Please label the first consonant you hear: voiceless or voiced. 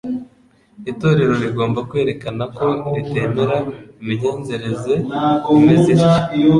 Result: voiceless